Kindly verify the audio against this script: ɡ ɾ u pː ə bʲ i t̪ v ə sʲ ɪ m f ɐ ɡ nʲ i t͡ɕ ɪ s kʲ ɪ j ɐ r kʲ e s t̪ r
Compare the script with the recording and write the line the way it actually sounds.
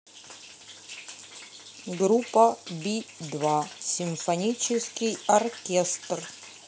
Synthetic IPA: ɡ ɾ u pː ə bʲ i d̪ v a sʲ ɪ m f ɐ nʲ i t͡ɕ ɪ s kʲ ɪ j ɐ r kʲ e s t̪ r